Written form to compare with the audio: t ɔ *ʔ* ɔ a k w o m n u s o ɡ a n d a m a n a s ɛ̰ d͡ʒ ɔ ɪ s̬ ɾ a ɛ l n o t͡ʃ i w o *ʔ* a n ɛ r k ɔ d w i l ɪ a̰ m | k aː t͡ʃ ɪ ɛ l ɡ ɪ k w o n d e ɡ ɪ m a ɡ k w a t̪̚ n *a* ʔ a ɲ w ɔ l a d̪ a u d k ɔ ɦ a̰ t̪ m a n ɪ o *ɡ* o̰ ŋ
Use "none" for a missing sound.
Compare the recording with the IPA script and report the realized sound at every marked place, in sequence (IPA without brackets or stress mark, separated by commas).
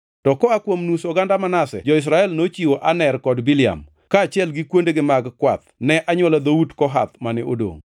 k, ʔ, ɛ, d